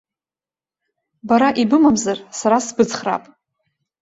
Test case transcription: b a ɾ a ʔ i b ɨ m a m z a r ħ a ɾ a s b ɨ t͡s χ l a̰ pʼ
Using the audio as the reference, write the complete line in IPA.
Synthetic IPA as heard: b a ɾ a ʔ i b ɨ m a m z a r s a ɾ a s b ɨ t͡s χ r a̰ pʼ